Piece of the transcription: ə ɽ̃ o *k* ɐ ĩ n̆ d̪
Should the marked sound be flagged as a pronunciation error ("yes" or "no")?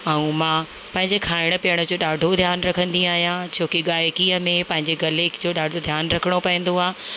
yes